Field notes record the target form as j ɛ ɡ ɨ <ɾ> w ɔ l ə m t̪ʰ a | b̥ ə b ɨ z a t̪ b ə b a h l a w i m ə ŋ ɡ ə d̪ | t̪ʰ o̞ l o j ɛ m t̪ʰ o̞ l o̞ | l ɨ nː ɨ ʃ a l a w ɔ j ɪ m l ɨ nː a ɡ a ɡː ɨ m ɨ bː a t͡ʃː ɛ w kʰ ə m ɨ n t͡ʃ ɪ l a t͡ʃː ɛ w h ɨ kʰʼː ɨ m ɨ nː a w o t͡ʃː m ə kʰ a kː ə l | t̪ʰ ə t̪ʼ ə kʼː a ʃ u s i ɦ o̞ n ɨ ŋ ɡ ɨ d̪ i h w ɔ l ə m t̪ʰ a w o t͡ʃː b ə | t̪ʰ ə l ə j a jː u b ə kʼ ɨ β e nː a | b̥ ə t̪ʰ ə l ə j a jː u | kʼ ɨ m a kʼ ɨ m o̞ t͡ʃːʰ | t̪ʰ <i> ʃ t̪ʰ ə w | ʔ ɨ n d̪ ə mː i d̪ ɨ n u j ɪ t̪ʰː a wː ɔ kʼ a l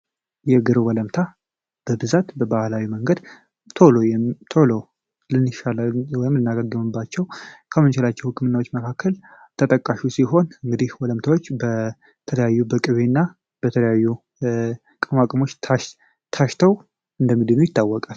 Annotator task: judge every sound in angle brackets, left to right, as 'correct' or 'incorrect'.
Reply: correct, incorrect

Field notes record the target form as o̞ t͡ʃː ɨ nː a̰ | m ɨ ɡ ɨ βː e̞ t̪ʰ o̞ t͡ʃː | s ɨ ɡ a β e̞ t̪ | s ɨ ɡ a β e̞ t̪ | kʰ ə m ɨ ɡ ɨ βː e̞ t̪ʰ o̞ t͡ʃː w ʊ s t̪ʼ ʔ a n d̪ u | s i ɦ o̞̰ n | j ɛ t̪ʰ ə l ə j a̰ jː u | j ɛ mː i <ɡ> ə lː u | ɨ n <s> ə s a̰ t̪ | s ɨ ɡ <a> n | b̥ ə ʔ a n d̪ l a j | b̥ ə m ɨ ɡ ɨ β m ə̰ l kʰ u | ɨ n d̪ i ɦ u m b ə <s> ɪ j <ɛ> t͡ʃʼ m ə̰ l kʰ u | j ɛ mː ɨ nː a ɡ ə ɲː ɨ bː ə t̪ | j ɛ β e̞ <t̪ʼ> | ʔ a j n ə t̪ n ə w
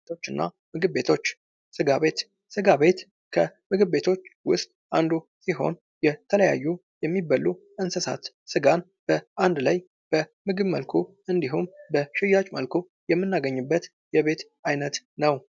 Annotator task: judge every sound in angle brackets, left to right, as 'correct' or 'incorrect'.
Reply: incorrect, correct, correct, incorrect, incorrect, incorrect

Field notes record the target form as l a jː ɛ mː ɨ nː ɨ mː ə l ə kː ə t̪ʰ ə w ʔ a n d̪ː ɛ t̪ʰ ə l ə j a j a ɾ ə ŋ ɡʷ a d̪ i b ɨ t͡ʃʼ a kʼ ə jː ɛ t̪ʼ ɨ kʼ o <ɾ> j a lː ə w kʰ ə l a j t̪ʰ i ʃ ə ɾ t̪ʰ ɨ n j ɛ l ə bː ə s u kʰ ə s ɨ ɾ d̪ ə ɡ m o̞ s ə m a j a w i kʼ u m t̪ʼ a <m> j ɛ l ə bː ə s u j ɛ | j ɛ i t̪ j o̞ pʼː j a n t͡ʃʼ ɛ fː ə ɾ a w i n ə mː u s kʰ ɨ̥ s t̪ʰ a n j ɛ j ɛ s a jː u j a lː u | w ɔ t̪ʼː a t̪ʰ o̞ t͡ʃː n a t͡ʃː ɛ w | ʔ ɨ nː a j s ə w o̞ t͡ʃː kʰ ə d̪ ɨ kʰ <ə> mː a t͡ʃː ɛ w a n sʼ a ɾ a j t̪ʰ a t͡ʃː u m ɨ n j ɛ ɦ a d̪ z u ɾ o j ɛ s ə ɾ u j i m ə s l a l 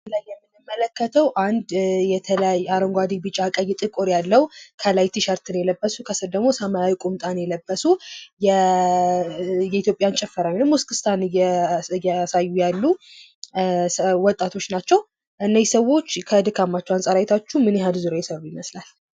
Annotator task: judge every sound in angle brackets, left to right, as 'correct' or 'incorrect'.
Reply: correct, incorrect, incorrect

